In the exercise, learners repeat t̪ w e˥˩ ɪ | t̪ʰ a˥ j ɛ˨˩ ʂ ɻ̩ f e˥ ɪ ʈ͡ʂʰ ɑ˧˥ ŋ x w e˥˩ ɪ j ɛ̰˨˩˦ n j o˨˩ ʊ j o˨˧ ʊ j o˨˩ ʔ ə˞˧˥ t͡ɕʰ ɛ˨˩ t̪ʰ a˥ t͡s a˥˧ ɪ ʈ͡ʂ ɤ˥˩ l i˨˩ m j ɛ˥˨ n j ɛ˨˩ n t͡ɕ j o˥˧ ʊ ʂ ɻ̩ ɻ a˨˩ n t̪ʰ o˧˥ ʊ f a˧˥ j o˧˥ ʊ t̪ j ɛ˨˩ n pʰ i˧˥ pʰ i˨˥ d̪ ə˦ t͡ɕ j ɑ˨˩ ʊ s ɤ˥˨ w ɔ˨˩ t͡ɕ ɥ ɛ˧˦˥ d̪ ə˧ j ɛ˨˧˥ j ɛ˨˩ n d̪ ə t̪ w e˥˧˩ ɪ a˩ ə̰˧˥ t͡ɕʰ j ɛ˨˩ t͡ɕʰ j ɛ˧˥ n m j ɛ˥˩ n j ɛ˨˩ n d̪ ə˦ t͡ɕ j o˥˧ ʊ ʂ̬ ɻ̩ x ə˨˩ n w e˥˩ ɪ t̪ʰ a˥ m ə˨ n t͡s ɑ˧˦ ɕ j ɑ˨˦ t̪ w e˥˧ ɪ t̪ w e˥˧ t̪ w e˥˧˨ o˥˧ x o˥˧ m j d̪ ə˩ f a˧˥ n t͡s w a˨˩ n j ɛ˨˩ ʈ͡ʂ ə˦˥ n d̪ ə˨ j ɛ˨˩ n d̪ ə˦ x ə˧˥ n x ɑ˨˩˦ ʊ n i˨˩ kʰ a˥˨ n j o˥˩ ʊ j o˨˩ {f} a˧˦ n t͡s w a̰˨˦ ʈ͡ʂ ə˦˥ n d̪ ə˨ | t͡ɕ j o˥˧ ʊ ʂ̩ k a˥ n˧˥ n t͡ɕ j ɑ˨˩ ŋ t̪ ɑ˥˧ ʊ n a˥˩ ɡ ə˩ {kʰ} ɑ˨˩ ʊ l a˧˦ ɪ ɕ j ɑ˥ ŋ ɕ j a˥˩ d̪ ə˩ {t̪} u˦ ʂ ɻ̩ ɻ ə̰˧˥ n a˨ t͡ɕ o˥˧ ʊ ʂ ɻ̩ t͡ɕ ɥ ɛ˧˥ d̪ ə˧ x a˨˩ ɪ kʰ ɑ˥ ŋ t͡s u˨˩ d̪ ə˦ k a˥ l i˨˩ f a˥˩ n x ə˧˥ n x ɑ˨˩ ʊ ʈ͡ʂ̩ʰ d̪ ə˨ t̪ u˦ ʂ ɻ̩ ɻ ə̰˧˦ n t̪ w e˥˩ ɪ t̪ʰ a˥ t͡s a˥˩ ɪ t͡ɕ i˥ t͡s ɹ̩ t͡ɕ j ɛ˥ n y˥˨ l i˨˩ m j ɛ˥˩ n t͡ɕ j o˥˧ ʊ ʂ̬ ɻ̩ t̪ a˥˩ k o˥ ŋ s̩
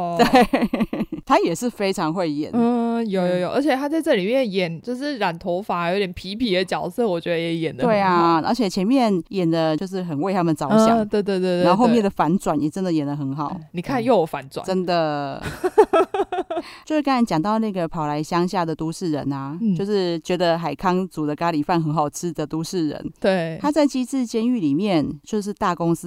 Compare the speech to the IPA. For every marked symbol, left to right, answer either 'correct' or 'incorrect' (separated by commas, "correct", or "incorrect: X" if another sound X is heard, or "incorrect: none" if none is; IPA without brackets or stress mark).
correct, incorrect: pʰ, correct